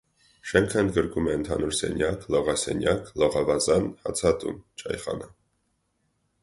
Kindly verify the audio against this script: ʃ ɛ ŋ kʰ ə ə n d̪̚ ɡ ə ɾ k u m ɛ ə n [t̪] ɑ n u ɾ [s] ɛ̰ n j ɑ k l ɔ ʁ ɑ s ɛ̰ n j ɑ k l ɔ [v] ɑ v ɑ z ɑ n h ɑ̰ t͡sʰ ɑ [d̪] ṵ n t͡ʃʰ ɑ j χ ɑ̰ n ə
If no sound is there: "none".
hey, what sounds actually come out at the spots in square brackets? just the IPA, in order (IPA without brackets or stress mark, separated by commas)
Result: t̪ʰ, s, ʁ, t̪